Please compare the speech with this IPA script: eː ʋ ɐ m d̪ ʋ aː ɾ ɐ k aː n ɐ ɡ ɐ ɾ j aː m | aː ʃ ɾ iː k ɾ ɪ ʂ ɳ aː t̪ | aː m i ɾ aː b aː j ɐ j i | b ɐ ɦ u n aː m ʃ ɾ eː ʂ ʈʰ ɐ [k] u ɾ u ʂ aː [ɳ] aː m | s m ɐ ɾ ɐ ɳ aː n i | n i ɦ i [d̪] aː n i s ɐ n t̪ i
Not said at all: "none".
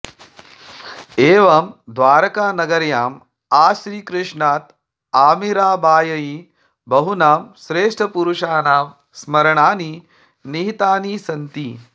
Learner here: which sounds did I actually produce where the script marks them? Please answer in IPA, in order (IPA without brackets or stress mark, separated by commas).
p, n, t̪